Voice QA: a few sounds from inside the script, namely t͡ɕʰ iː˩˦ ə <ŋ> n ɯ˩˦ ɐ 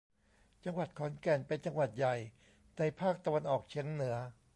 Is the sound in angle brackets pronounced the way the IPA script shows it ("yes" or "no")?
yes